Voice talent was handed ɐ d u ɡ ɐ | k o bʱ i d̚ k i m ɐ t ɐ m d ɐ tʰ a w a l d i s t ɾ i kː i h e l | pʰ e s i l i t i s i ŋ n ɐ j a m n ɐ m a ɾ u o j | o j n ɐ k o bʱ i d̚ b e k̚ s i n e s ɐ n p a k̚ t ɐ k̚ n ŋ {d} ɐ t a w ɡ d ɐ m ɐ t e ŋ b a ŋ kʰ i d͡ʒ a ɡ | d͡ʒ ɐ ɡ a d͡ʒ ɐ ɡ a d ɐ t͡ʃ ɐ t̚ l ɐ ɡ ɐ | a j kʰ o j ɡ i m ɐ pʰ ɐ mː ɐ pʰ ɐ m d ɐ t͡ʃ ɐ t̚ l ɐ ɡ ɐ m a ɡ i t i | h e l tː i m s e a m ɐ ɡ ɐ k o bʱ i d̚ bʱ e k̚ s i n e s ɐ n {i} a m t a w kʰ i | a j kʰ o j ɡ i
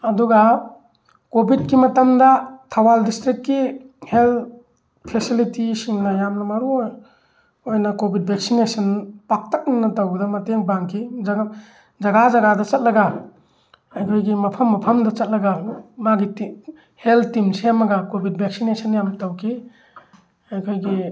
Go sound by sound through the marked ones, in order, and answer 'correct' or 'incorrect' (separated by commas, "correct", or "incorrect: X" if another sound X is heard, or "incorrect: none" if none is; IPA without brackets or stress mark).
incorrect: n, incorrect: j